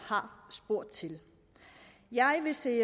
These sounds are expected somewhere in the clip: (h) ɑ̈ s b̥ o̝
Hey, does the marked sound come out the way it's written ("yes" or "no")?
yes